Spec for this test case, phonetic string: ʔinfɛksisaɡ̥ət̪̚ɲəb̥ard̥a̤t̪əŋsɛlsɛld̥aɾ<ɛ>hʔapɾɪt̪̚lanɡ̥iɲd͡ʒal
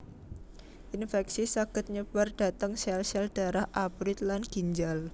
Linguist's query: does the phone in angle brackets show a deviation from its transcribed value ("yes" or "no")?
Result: yes